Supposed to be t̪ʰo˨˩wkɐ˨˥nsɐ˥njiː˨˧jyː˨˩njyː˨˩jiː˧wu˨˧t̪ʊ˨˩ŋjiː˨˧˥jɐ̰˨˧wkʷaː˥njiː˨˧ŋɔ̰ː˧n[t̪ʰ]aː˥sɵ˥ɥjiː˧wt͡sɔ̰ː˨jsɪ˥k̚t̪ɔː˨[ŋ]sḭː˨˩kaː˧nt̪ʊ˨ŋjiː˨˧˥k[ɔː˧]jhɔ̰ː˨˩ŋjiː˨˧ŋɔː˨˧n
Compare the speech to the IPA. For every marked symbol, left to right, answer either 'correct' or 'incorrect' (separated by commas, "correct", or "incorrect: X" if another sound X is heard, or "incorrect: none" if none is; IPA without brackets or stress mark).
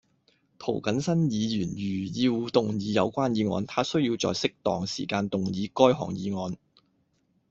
correct, correct, incorrect: ɔː˥